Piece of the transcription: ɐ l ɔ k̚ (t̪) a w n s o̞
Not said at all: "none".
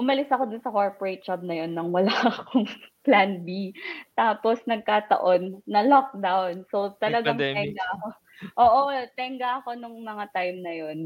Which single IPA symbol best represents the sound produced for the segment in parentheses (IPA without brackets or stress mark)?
d̪